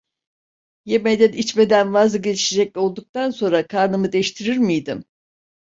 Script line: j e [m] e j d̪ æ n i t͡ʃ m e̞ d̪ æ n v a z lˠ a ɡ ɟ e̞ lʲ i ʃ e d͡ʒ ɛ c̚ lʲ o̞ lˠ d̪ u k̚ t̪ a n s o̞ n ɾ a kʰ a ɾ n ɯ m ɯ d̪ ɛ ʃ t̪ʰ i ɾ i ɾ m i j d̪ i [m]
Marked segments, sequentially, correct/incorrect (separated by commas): correct, correct